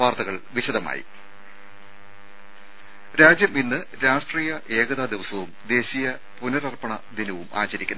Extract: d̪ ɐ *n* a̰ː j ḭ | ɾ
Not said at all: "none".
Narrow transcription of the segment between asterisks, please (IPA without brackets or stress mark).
m